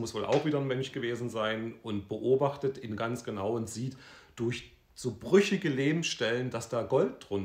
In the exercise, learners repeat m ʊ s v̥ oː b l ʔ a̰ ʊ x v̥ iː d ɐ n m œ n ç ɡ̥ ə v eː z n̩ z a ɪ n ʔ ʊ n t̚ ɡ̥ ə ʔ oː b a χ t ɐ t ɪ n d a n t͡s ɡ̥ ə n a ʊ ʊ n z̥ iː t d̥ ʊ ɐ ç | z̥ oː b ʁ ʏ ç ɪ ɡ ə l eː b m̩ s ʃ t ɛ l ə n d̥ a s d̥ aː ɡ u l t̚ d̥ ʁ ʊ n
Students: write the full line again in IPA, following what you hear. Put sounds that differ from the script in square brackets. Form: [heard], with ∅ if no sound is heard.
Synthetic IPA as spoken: m ʊ s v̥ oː [∅] l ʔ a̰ ʊ x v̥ iː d ɐ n m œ n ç ɡ̥ ə v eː z n̩ z a ɪ n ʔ ʊ n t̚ [b̥] ə ʔ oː b a χ t [ə] t ɪ n [ɡ] a n t͡s ɡ̥ ə n a ʊ ʊ n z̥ iː t d̥ ʊ ɐ ç | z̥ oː b ʁ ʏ ç ɪ ɡ ə l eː b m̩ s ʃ t ɛ l ə n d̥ a s d̥ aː ɡ [ɔ] l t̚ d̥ ʁ ʊ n

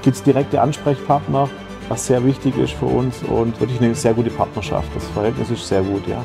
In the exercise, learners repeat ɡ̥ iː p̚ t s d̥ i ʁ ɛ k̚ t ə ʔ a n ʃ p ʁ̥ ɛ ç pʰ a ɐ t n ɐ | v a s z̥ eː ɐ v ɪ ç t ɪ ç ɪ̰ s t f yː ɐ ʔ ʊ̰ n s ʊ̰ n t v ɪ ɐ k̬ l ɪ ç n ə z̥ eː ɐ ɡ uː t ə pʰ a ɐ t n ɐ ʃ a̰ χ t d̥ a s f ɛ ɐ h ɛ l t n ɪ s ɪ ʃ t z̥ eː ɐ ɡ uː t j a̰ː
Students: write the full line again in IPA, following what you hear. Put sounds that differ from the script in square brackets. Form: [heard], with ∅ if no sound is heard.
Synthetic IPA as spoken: ɡ̥ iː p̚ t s d̥ i ʁ ɛ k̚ t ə ʔ a n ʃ p ʁ̥ ɛ ç pʰ a ɐ t n ɐ | v a s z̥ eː ɐ v ɪ ç t ɪ ç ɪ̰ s t f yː ɐ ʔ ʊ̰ n s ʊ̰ n t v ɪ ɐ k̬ l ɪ ç n ə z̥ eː ɐ ɡ uː t ə pʰ a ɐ t n ɐ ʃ a̰ [f] t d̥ a s f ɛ ɐ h ɛ l t n ɪ s ɪ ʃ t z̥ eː ɐ ɡ uː t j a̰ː

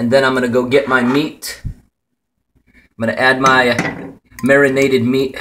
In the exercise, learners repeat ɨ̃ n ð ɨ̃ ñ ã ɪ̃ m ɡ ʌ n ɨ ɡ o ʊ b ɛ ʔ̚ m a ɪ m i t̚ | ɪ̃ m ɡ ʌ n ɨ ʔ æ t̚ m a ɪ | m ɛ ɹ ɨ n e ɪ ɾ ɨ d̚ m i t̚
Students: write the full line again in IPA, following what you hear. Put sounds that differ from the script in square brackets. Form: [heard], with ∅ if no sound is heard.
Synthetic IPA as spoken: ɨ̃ n ð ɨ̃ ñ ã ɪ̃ m ɡ ʌ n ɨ ɡ o ʊ [ɡ] ɛ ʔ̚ m a ɪ m i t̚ | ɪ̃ m ɡ ʌ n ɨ ʔ æ [d̚] m a ɪ | m ɛ ɹ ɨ n e ɪ ɾ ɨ d̚ m i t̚

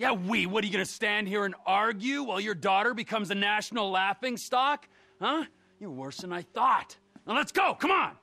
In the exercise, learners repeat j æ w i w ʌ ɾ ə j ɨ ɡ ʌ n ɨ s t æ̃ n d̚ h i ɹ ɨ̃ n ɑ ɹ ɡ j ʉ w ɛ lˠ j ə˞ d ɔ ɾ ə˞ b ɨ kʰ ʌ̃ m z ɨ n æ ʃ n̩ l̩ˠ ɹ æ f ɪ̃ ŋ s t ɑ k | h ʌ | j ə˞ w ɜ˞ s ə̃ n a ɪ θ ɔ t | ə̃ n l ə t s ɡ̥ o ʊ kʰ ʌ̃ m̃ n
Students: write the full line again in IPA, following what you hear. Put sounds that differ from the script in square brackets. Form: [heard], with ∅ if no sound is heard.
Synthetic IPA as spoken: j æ w i w ʌ ɾ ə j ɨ ɡ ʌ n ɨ s t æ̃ n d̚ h i ɹ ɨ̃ n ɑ ɹ ɡ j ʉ w ɛ lˠ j ə˞ d ɔ ɾ ə˞ b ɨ kʰ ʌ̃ m z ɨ n æ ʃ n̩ l̩ˠ [l] æ f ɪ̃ ŋ s t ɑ k | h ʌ | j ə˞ w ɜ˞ s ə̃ n a ɪ θ ɔ t | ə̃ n l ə t s ɡ̥ o ʊ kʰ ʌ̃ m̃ n

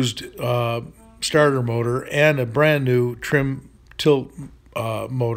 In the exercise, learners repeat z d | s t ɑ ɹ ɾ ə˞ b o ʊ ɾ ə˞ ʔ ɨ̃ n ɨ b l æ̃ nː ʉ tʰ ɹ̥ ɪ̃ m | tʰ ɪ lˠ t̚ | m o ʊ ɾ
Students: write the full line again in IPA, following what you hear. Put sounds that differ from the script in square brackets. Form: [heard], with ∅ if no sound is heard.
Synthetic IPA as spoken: z d | s t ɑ ɹ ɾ ə˞ [m] o ʊ ɾ ə˞ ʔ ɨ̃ n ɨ b [ɹ] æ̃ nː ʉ tʰ ɹ̥ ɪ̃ m | tʰ ɪ lˠ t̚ | m o ʊ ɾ

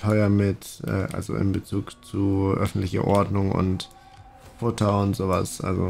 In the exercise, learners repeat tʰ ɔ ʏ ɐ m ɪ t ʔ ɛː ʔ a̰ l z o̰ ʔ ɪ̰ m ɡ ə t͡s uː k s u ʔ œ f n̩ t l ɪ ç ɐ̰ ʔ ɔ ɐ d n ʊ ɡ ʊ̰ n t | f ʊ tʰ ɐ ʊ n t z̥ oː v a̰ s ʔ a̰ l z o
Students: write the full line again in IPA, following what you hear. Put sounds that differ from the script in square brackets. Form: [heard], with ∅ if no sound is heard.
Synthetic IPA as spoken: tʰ ɔ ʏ ɐ m ɪ t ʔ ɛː ʔ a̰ l z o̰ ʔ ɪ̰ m [b] ə t͡s uː k [t͡s] u ʔ œ f n̩ t l ɪ ç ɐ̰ ʔ ɔ ɐ d n ʊ [ŋ] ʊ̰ n t | f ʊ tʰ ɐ ʊ n t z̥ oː v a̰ s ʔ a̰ l z o

